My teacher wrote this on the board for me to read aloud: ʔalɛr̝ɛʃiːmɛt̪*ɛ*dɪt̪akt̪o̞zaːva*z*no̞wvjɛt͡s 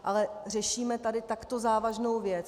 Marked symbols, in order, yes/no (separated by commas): no, no